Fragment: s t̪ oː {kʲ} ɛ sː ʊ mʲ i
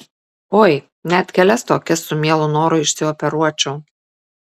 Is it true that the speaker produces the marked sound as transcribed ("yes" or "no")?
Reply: yes